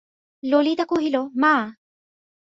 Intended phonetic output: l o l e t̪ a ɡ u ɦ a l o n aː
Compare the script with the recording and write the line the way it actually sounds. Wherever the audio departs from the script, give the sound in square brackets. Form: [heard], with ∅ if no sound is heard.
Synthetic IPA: l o l [i] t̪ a [k] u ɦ [i] l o [m] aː